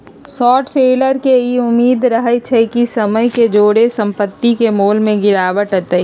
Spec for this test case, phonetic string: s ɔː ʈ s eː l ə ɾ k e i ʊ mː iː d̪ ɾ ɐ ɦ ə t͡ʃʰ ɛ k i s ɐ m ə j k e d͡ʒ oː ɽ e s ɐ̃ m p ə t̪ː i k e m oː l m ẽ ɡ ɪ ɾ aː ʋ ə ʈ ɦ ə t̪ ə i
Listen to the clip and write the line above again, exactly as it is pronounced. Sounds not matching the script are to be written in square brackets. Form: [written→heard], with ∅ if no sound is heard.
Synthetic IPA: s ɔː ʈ s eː l ə ɾ k e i ʊ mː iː d̪ ɾ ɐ ɦ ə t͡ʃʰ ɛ k i s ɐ m ə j k e d͡ʒ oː ɽ e s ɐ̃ m p ə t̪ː i k e m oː l m ẽ ɡ ɪ ɾ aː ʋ ə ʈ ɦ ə t̪ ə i